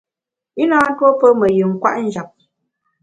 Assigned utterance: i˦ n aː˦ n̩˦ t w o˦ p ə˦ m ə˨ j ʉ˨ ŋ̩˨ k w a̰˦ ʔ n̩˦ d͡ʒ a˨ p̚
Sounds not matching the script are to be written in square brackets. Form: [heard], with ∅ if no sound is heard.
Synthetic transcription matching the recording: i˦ n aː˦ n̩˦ t w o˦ p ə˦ m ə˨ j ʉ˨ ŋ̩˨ k w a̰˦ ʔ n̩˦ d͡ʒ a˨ p̚